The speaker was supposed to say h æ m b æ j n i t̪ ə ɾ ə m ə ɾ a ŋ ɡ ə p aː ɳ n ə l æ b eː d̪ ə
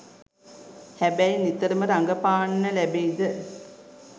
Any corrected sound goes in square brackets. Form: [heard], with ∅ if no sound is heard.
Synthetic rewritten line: h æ [∅] b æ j n i t̪ ə ɾ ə m ə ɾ a ŋ ɡ ə p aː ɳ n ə l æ b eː d̪ ə